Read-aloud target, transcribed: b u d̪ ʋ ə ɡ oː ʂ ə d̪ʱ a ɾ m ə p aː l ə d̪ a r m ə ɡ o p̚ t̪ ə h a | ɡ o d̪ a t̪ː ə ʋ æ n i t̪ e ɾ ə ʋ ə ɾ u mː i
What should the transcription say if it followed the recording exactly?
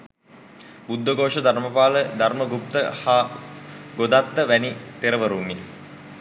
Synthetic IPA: b u d̪ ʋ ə ɡ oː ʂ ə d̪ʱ a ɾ m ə p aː l ə d̪ a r m ə ɡ u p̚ t̪ ə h a | ɡ o d̪ a t̪ː ə ʋ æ n i t̪ e ɾ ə ʋ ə ɾ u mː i